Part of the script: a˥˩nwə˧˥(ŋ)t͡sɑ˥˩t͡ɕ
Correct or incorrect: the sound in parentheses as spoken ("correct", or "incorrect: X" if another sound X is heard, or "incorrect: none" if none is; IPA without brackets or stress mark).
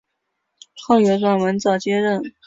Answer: incorrect: n